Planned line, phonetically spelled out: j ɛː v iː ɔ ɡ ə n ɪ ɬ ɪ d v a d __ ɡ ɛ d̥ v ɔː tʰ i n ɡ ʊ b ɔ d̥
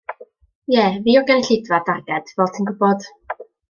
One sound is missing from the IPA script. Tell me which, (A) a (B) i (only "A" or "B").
A